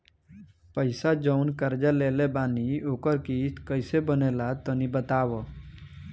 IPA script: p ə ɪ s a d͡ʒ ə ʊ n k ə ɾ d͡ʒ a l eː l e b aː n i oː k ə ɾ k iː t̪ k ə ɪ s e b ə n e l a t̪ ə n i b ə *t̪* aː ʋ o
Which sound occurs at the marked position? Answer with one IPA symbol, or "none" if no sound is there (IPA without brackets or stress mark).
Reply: t̪